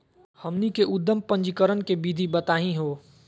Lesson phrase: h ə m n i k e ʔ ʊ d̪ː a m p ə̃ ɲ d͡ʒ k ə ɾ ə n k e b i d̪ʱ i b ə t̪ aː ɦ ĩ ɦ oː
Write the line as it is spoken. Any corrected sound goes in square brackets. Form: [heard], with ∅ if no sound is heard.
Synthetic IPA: h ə m n i k e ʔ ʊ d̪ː [ə] m p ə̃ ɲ d͡ʒ k ə ɾ ə n k e b i d̪ʱ i b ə t̪ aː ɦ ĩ ɦ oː